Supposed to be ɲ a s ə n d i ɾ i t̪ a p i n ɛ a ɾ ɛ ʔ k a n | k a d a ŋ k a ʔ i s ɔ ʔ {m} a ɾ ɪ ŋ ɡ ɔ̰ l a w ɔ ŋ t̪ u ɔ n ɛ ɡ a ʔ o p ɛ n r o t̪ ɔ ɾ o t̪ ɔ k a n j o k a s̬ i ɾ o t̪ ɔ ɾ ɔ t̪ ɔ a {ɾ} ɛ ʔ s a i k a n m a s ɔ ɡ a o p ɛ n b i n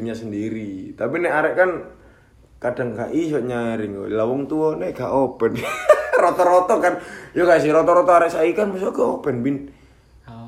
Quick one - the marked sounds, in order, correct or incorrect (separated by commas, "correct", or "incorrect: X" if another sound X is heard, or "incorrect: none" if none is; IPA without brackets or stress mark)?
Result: incorrect: ɲ, correct